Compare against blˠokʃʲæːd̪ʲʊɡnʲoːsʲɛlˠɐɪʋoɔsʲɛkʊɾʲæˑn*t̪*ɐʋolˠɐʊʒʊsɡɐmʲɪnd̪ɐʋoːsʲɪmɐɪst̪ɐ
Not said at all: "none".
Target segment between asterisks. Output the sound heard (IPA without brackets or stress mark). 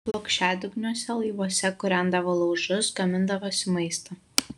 d̪